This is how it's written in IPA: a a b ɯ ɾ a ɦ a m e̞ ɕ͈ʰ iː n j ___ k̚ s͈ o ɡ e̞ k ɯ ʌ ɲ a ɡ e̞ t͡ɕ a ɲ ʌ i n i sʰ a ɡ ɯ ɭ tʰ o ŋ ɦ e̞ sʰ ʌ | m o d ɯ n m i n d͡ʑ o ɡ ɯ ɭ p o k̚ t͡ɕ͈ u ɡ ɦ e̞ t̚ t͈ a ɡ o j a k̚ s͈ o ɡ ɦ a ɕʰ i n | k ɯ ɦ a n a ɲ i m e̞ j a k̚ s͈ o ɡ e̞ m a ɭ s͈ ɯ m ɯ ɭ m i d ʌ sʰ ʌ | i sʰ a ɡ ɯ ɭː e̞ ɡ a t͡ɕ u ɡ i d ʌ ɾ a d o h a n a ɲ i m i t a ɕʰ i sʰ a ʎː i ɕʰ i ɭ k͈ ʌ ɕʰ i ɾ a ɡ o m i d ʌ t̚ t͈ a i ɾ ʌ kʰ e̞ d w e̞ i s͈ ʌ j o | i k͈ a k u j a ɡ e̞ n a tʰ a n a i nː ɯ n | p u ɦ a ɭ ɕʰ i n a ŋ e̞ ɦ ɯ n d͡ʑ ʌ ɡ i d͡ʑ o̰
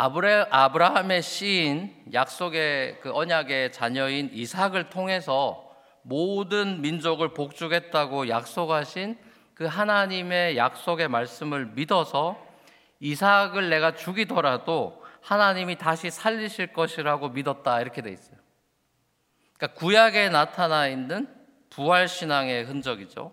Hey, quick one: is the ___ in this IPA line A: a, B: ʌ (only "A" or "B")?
A